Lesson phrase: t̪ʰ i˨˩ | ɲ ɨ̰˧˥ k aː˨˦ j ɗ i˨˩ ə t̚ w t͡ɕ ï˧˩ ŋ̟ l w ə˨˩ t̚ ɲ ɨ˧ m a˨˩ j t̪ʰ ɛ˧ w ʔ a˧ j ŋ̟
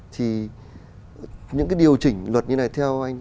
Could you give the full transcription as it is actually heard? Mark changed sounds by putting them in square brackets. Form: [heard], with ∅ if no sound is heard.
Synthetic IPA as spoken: t̪ʰ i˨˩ | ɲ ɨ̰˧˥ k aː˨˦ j ɗ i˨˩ ə [∅] w t͡ɕ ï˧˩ ŋ̟ l w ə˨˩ t̚ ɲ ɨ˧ [n] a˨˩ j t̪ʰ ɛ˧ w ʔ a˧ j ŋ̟